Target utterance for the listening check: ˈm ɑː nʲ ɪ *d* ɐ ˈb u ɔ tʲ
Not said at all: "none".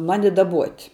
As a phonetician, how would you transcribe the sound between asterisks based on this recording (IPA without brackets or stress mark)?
d